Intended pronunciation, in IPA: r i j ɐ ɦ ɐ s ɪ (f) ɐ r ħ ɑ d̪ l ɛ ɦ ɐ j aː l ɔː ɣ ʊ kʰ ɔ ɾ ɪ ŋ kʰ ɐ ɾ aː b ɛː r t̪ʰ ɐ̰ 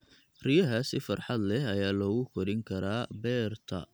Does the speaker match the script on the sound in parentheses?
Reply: yes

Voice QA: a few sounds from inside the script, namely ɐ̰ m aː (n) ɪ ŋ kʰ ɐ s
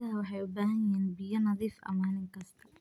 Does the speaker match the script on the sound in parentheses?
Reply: yes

